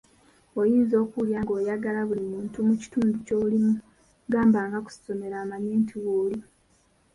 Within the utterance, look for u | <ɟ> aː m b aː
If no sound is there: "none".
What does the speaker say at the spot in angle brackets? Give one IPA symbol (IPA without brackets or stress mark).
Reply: ɡ